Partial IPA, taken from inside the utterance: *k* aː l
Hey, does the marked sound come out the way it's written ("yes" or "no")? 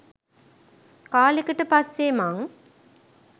yes